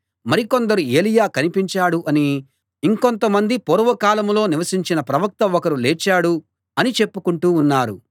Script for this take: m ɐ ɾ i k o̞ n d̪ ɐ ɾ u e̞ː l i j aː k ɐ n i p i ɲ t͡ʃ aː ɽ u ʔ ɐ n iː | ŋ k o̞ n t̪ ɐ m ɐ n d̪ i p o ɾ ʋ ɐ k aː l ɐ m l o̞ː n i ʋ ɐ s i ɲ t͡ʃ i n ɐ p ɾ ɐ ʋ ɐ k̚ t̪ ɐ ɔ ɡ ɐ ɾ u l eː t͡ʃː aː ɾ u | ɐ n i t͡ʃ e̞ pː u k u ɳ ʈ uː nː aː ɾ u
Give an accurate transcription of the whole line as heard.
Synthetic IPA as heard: m ɐ ɾ i k o̞ n d̪ ɐ ɾ u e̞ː l i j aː k ɐ n i p i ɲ t͡ʃ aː ɽ u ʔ ɐ n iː | ŋ k o̞ n t̪ ɐ m ɐ n d̪ i p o ɾ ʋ ɐ k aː l ɐ m l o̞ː n i ʋ ɐ s i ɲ t͡ʃ i n ɐ p ɾ ɐ ʋ ɐ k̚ t̪ ɐ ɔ k ɐ ɾ u l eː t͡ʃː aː ɽ u | ɐ n i t͡ʃ e̞ pː u k u ɳ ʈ uː nː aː ɾ u